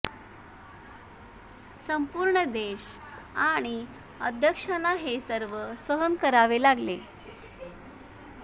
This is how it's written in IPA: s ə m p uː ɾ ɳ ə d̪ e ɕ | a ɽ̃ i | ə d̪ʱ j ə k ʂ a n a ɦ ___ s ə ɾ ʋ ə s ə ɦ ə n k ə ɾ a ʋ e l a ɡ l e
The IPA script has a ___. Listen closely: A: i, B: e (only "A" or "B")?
B